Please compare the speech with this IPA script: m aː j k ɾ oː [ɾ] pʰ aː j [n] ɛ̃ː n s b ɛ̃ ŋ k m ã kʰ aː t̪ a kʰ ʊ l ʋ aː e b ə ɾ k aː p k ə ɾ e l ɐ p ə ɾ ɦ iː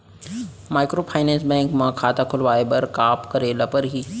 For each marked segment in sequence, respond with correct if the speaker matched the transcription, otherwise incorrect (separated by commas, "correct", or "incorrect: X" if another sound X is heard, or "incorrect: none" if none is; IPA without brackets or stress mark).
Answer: incorrect: none, correct